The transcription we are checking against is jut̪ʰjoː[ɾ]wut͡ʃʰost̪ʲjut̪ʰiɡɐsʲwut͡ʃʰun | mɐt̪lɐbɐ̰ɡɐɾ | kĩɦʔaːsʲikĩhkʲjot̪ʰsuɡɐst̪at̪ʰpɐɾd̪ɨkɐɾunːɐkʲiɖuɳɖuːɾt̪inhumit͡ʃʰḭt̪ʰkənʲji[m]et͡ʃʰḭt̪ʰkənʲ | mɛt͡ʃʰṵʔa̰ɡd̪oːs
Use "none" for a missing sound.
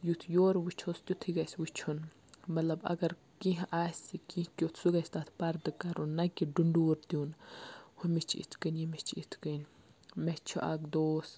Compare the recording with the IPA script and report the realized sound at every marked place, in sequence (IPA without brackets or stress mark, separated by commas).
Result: ɾ, m